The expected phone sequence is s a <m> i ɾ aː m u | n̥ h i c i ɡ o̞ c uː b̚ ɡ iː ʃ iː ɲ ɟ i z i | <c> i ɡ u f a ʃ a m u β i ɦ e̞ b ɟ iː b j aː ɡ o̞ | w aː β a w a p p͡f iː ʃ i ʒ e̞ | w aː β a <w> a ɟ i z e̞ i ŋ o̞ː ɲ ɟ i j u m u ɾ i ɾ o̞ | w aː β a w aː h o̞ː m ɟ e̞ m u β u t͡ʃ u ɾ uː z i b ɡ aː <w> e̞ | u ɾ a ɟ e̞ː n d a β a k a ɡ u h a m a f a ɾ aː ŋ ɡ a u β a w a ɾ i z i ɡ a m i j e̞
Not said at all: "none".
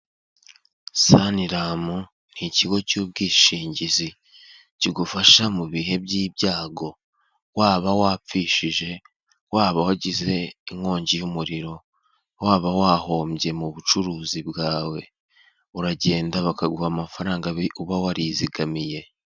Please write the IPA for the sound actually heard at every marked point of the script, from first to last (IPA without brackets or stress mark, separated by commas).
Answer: n, c, w, w